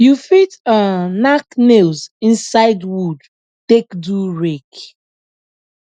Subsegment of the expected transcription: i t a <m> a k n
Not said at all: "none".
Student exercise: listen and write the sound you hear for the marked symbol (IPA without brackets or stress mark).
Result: n